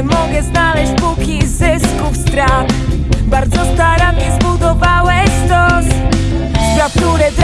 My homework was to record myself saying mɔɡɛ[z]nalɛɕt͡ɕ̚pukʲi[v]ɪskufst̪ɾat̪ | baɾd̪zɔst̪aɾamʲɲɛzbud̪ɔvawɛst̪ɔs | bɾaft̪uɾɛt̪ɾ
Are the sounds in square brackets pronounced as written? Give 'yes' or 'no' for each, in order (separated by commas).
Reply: yes, no